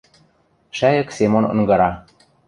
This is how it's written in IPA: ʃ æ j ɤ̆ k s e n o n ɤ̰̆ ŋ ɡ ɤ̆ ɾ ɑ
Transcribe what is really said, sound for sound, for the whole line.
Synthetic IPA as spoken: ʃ æ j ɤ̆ k s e m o n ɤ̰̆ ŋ ɡ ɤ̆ ɾ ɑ